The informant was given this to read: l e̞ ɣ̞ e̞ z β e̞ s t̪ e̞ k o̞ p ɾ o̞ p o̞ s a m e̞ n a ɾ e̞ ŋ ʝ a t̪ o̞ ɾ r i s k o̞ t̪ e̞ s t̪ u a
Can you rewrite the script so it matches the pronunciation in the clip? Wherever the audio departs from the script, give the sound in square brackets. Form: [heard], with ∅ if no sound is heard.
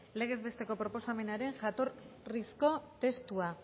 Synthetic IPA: l e̞ ɣ̞ e̞ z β e̞ s t̪ e̞ k o̞ p ɾ o̞ p o̞ s a m e̞ n a ɾ e̞ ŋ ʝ a t̪ o̞ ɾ r i s k o̞ t̪ e̞ s t̪ u a